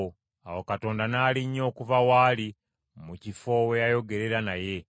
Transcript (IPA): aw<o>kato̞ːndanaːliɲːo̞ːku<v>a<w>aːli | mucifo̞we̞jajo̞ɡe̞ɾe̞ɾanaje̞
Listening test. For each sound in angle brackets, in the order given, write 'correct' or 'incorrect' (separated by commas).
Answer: correct, correct, correct